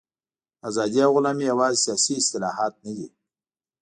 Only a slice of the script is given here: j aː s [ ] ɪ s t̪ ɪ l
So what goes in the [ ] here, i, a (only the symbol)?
i